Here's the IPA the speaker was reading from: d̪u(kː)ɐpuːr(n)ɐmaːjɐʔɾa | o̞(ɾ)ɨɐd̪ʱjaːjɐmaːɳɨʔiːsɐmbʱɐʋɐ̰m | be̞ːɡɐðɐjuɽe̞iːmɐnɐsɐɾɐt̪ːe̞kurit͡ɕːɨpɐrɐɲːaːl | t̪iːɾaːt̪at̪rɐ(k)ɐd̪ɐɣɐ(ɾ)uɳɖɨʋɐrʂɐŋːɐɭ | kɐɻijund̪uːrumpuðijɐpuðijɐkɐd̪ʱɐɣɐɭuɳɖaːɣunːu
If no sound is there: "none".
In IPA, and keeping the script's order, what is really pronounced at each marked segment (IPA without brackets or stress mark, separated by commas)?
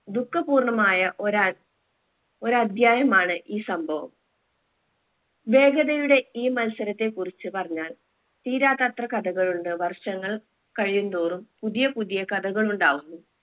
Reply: kː, ɳ, ɾ, k, ɭ